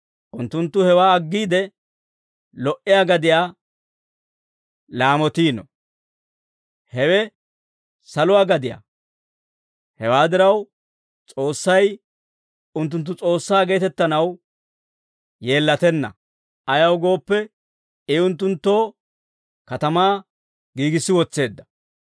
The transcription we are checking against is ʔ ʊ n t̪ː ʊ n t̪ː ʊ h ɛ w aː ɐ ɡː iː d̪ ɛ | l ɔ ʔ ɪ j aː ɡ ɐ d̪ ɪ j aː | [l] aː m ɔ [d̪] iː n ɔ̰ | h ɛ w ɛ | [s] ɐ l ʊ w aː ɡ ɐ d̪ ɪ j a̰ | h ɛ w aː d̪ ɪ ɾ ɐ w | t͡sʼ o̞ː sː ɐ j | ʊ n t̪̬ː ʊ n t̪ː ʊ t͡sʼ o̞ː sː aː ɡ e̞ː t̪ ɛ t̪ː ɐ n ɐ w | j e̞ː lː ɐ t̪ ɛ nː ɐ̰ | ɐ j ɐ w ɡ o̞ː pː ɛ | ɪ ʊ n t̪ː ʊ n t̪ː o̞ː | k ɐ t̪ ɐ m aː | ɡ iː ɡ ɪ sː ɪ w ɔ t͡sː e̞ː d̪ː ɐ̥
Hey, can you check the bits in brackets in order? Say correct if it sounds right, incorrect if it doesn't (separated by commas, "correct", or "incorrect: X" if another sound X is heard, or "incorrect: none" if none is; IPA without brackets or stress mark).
correct, incorrect: t̪, correct